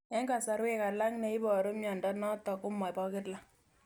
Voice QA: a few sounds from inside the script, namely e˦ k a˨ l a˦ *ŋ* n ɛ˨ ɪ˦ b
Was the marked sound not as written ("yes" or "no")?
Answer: no